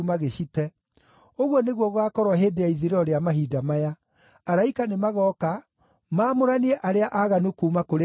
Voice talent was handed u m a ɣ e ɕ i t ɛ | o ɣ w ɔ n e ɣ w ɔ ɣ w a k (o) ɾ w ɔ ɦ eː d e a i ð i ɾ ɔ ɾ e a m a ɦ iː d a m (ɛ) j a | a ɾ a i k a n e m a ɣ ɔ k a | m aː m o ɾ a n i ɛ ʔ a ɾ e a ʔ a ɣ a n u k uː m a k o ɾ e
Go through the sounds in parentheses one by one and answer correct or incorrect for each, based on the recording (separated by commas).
incorrect, incorrect